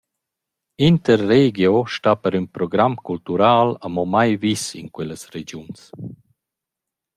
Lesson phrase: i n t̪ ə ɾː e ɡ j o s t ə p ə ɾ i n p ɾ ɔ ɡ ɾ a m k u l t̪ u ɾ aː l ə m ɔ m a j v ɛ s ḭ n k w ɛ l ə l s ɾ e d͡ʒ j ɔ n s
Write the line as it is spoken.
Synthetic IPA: i n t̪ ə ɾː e ɡ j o ʃ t a p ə ɾ y n p ɾ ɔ ɡ ɾ a m k u l t̪ u ɾ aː l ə m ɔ m a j v i s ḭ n k w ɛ l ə s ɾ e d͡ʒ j u n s